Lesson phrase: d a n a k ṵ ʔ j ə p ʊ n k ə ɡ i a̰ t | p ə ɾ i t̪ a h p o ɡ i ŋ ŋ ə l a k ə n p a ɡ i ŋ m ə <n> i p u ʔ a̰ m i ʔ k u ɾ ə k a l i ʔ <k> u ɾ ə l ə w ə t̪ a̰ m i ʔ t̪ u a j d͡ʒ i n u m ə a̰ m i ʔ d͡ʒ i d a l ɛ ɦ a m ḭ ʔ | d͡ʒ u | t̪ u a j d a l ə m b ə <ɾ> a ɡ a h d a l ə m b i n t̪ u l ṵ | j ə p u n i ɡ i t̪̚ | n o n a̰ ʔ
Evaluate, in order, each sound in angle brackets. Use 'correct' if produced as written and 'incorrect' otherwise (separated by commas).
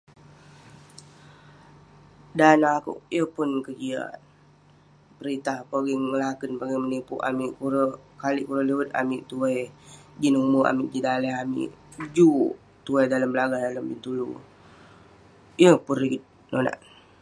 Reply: correct, correct, incorrect